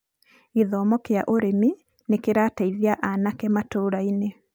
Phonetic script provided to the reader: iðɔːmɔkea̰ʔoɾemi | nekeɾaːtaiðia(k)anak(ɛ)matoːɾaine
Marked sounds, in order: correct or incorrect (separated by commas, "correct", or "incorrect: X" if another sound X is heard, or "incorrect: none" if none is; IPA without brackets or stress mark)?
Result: incorrect: ʔ, correct